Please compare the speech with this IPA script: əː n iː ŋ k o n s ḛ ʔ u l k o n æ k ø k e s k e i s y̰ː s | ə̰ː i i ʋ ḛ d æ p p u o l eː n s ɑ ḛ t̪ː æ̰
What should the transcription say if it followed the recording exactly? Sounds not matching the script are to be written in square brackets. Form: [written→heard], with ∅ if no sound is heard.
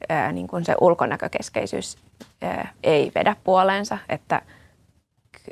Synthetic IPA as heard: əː n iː ŋ k [o→u] n s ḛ ʔ u l k o n æ k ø k e s k e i s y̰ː s | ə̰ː [i→e] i ʋ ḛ d æ p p u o l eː n s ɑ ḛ t̪ː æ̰